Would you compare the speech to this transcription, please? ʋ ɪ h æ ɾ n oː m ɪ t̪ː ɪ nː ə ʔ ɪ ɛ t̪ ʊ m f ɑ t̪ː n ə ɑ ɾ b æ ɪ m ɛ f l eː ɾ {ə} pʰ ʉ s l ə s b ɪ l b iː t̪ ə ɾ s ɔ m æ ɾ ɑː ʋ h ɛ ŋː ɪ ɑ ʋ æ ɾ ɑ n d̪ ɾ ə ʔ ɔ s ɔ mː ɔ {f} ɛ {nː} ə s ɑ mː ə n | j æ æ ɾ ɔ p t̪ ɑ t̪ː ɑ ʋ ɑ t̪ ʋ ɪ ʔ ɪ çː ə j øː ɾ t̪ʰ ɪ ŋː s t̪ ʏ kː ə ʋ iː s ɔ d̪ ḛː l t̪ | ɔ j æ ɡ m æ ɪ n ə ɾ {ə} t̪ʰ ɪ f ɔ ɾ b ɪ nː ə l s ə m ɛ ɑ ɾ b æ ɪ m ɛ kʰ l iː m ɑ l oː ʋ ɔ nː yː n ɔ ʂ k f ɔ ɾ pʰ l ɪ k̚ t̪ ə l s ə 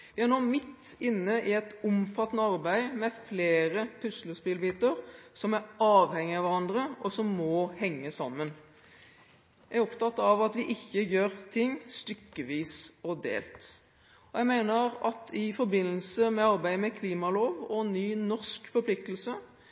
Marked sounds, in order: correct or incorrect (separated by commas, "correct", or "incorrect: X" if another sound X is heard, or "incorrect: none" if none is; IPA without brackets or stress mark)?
correct, incorrect: h, incorrect: ŋː, incorrect: ɑ